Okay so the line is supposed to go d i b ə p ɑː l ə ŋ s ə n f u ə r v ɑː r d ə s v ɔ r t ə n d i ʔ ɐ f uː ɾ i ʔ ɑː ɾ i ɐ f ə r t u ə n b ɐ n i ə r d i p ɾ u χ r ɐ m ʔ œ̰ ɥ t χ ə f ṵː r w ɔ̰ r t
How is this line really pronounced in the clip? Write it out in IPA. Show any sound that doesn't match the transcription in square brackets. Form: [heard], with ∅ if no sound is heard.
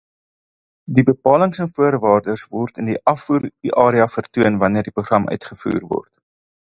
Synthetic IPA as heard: d i b ə p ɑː l ə ŋ s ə n f u ə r v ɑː r d ə s v ɔ r t ə n d i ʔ ɐ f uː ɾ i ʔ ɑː ɾ i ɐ f ə r t u ə n [v] ɐ n i ə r d i p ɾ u χ r ɐ m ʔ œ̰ ɥ t χ ə f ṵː r [v] ɔ̰ r t